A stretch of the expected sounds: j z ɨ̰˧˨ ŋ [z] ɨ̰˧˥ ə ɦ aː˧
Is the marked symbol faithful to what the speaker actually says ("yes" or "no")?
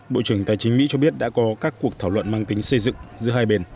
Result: yes